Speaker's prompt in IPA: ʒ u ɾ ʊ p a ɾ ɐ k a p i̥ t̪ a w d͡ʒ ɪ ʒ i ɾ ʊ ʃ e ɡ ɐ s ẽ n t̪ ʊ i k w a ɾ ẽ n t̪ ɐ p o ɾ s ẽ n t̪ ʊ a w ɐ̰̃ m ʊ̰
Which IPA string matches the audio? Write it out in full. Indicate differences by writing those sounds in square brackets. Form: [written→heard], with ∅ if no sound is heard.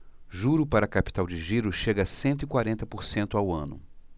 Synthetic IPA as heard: ʒ u ɾ ʊ p a ɾ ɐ k a p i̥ t̪ a w d͡ʒ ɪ ʒ i ɾ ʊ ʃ e ɡ ɐ s ẽ n t̪ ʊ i k w a ɾ ẽ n t̪ ɐ p o ɾ s ẽ n t̪ ʊ a w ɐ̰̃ [m→n] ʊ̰